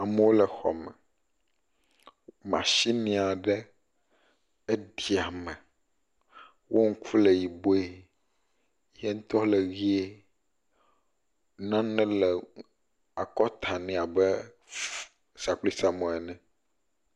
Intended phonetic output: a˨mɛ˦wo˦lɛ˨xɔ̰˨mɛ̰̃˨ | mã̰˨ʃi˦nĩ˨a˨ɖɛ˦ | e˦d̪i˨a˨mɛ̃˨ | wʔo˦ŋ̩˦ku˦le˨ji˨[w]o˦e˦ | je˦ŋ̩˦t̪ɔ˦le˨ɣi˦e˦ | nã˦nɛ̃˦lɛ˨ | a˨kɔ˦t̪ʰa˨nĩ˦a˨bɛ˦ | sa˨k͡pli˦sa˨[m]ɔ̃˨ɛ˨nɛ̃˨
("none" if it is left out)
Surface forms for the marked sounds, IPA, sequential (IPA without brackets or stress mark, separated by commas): b, m